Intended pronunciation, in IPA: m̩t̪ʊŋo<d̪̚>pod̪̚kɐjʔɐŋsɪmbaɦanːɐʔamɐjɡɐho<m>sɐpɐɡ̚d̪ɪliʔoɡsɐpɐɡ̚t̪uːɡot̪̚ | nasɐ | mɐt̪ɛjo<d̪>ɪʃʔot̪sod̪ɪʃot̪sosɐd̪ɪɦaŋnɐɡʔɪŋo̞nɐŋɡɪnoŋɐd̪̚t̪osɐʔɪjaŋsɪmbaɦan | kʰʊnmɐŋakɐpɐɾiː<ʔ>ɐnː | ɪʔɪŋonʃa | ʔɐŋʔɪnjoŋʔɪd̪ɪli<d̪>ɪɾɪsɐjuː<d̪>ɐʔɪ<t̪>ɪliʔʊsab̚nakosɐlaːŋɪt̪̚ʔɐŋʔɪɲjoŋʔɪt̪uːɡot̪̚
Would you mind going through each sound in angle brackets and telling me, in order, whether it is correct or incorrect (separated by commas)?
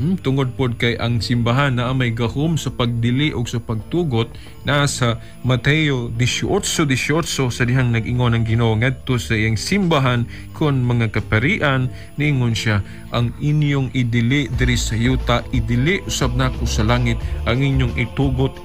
correct, correct, correct, correct, correct, incorrect, incorrect